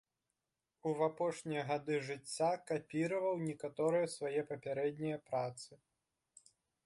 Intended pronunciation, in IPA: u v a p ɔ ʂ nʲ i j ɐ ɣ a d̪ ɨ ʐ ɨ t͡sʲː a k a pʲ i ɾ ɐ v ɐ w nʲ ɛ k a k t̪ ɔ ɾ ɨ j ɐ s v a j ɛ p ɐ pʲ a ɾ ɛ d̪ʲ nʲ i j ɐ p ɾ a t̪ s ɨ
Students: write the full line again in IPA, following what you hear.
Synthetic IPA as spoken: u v a p ɔ ʂ nʲ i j ɐ ɣ a d̪ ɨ ʐ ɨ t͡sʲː a k a pʲ i ɾ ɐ v ɐ w nʲ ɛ k a t̪ ɔ ɾ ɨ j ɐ s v a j ɛ p ɐ pʲ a ɾ ɛ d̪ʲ nʲ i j ɐ p ɾ a t̪ s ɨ